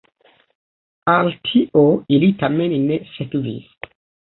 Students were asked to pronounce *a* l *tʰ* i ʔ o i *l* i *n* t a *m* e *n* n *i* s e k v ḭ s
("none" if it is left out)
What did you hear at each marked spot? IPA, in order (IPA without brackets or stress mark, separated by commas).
a, tʰ, l, none, m, n, e